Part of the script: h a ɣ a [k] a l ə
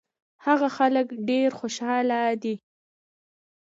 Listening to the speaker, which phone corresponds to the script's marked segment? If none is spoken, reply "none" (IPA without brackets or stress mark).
x